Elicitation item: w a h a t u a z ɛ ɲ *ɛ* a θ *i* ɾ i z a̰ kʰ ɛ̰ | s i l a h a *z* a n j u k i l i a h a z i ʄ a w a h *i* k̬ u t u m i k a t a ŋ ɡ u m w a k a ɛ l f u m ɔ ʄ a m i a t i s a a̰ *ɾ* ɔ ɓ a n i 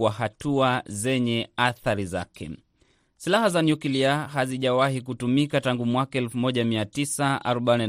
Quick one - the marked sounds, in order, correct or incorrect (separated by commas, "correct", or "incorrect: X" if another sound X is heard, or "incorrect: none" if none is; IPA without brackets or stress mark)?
correct, incorrect: a, correct, correct, correct